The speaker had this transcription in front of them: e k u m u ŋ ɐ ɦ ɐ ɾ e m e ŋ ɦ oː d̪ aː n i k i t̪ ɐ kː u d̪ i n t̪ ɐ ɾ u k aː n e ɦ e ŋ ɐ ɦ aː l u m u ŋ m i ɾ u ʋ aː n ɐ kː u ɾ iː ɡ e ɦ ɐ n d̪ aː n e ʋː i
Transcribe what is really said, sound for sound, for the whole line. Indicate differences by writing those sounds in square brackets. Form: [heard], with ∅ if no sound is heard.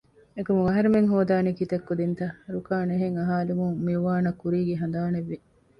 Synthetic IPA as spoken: e k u m u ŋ ɐ ɦ ɐ ɾ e m e ŋ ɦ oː d̪ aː n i k i t̪ ɐ kː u d̪ i n t̪ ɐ ɾ u k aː n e ɦ e ŋ ɐ ɦ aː l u m u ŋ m i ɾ u ʋ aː n ɐ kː u ɾ iː ɡ e ɦ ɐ n d̪ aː n e ʋː i

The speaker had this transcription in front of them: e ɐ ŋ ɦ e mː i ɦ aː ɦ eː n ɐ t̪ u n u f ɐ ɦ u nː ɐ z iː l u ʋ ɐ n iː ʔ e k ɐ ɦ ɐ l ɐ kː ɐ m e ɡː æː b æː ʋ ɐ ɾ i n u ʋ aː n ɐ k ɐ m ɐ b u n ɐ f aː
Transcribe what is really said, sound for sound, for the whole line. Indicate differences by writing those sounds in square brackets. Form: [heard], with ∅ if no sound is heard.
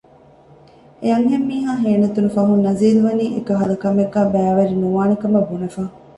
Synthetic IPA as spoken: e ɐ ŋ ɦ e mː [iː] ɦ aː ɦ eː n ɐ t̪ u n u f ɐ ɦ u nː ɐ z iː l u ʋ ɐ n iː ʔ e k ɐ ɦ ɐ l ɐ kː ɐ m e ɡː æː b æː ʋ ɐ ɾ i n u ʋ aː n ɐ k ɐ m ɐ b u n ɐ f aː

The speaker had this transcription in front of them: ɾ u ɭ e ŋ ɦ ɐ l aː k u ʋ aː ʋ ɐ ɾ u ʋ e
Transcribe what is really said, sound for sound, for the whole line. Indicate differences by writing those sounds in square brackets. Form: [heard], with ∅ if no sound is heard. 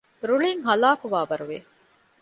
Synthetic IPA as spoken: ɾ u ɭ [i] ŋ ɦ ɐ l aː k u ʋ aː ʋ ɐ ɾ u ʋ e

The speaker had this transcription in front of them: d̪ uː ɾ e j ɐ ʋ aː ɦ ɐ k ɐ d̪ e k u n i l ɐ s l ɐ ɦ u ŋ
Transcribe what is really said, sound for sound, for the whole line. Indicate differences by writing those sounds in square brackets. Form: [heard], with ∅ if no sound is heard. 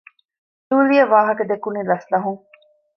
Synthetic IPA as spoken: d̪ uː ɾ [i] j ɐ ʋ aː ɦ ɐ k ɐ d̪ e k u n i l ɐ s l ɐ ɦ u ŋ

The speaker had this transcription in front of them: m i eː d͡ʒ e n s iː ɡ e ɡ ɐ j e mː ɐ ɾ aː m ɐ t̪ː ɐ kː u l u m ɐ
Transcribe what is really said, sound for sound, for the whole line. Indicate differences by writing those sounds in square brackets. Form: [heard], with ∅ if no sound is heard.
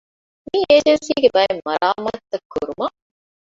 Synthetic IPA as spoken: m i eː d͡ʒ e n s iː ɡ e [b] ɐ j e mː ɐ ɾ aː m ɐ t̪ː ɐ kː u [ɾ] u m ɐ

